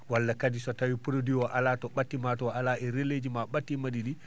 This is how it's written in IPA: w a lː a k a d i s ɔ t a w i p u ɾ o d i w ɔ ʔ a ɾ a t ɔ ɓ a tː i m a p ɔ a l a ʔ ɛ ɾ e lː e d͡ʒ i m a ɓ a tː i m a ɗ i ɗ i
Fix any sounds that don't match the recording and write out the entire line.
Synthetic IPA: w a lː a k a d i s ɔ t a w i p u ɾ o d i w ɔ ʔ a l a t ɔ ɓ a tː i m a t ɔ a l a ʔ ɛ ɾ e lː e d͡ʒ i m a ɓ a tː i m a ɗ i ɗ i